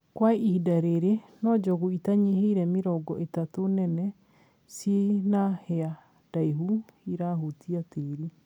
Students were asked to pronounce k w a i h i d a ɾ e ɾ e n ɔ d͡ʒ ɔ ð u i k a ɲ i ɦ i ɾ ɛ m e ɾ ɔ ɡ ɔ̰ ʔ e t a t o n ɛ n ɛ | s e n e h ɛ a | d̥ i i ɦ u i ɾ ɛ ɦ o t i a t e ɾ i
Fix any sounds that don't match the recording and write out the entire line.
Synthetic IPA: k w a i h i d a ɾ e ɾ e n ɔ d͡ʒ ɔ ɣ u i t a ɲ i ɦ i ɾ ɛ m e ɾ ɔ ɡ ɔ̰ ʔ e t a t o n ɛ n ɛ | s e n a h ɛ a | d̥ a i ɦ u i ɾ a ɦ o t i a t e ɾ i

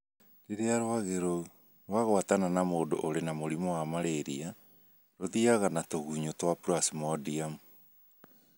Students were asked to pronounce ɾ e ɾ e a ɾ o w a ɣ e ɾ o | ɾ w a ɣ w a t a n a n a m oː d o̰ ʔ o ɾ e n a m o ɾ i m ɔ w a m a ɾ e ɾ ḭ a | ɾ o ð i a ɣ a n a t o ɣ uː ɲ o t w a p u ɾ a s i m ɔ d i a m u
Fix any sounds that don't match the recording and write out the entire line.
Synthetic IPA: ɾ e ɾ e a ɾ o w a ɣ e ɾ o | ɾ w a ɣ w a t a n a n a m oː d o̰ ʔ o ɾ e n a m o ɾ i m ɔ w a m a ɾ e ɾ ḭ a | ɾ o ð i a ɣ a n a t o ɣ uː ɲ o t w a p u ɾ a s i m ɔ d i a m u

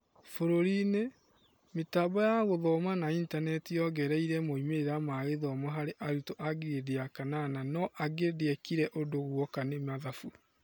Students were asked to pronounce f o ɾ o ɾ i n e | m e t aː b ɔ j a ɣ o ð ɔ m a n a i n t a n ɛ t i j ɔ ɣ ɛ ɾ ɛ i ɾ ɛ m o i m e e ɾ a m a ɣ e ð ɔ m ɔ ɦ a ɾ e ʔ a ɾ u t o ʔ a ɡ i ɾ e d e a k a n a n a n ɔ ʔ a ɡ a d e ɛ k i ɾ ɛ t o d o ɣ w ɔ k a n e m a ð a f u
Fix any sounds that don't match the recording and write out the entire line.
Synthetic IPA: f o ɾ o ɾ i n e | m e t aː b ɔ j a ɣ o ð ɔ m a n a i n t a n ɛ t i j ɔ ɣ ɛ ɾ ɛ i ɾ ɛ m o i m e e ɾ a m a ɣ e ð ɔ m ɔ ɦ a ɾ e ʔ a ɾ u t o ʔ a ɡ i ɾ e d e a k a n a n a n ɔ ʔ a ɡ e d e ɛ k i ɾ ɛ ʔ o d o ɣ w ɔ k a n e m a ð a f u

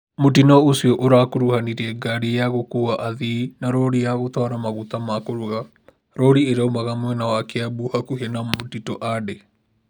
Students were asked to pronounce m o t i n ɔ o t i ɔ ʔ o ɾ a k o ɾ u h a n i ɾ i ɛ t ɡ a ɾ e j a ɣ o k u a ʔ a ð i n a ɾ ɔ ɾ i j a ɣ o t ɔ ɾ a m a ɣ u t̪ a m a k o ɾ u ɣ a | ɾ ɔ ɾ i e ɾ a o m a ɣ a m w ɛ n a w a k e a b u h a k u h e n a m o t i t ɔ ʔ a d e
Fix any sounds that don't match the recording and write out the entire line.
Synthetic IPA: m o t i n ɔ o s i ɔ ʔ o ɾ a k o ɾ u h a n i ɾ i ɛ ɡ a ɾ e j a ɣ o k u a ʔ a ð i n a ɾ ɔ ɾ i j a ɣ o t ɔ ɾ a m a ɣ u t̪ a m a k o ɾ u ɣ a | ɾ ɔ ɾ i e ɾ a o m a ɣ a m w ɛ n a w a k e a b u h a k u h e n a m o t i t ɔ ʔ a d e

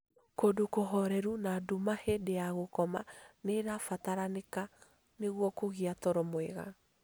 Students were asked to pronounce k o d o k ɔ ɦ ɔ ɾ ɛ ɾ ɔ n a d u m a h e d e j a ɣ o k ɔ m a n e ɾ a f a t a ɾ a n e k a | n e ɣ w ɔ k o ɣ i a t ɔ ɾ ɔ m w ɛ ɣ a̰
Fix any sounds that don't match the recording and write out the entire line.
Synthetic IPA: k o d o k o ɦ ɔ ɾ ɛ ɾ u n a d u m a h e d e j a ɣ o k ɔ m a n e ɾ a f a t a ɾ a n e k a | n e ɣ w ɔ k o ɣ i a t ɔ ɾ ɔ m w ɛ ɣ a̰

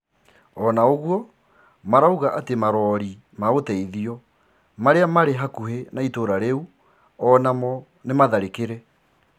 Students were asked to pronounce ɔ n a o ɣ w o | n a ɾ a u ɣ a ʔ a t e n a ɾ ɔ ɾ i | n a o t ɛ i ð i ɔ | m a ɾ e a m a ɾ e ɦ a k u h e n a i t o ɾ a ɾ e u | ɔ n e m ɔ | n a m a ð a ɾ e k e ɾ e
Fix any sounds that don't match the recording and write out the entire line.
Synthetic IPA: ɔ n a o ɣ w ɔ | m a ɾ a u ɣ a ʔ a t e m a ɾ ɔ ɾ i | m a o t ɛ i ð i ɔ | m a ɾ e a m a ɾ e ɦ a k u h e n a i t o ɾ a ɾ e u | ɔ n a m ɔ | n e m a ð a ɾ e k e ɾ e

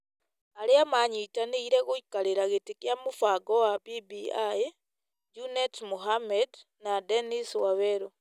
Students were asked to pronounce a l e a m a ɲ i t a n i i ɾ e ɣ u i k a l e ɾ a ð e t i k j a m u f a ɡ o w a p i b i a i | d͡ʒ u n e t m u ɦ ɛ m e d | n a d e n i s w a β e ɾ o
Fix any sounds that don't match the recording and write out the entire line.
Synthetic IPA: a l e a m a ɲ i t a n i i ɾ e ɣ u i k a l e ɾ a ɣ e t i k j a m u f a ɡ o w a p i b i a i | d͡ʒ u n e t m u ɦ a m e d | n a d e n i s w a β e ɾ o

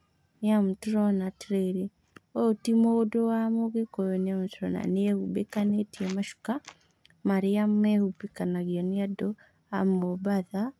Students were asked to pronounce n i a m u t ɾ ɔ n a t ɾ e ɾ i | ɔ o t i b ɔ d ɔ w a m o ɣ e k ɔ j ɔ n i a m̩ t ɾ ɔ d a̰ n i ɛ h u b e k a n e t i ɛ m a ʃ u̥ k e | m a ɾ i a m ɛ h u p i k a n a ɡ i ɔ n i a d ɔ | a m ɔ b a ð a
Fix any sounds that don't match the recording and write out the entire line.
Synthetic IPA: n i a m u t ɾ ɔ n a t ɾ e ɾ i | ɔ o t i m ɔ d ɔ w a m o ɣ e k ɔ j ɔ n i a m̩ t ɾ ɔ n a̰ n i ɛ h u b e k a n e t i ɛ m a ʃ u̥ k a | m a ɾ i a m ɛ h u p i k a n a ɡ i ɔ n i a d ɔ | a m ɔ b a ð a

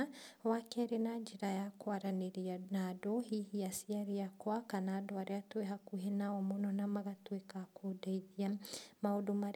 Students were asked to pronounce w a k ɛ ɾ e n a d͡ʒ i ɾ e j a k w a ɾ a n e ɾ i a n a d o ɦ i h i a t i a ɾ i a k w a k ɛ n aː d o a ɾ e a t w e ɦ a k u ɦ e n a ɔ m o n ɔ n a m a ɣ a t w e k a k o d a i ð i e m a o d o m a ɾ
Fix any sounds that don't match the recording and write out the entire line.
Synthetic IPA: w a k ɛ ɾ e n a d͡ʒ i ɾ a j a k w a ɾ a n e ɾ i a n a d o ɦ i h i a s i a ɾ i a k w a k a n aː d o a ɾ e a t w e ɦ a k u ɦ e n a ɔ m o n ɔ n a m a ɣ a t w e k a k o d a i ð i a m a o d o m a ɾ

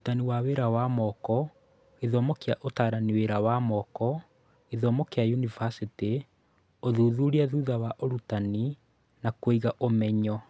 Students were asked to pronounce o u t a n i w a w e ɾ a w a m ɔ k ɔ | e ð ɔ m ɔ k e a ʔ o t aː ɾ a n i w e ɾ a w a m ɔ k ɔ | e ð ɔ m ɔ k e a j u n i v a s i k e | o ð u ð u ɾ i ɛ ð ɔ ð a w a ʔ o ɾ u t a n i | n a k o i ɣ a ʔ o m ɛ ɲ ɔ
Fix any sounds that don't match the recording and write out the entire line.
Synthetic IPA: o u t a n i w a w e ɾ a w a m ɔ k ɔ | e ð ɔ m ɔ k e a ʔ o t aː ɾ a n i w e ɾ a w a m ɔ k ɔ | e ð ɔ m ɔ k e a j u n i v a s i t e | o ð u ð u ɾ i a ð u ð a w a ʔ o ɾ u t a n i | n a k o i ɣ a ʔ o m ɛ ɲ ɔ

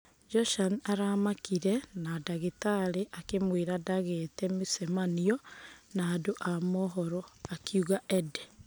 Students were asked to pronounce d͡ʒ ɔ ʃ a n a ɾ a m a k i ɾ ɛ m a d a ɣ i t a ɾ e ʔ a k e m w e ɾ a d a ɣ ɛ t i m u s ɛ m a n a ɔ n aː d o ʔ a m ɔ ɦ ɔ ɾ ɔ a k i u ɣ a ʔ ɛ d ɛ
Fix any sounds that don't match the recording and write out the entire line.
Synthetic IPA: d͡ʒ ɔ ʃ a n a ɾ a m a k i ɾ ɛ n a d a ɣ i t a ɾ e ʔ a k e m w e ɾ a d a ɣ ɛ t ɛ m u s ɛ m a n i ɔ n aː d o ʔ a m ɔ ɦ ɔ ɾ ɔ a k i u ɣ a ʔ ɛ d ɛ

